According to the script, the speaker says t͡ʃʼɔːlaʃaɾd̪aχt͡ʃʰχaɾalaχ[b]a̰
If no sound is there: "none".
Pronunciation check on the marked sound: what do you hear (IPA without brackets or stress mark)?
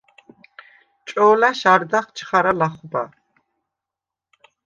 b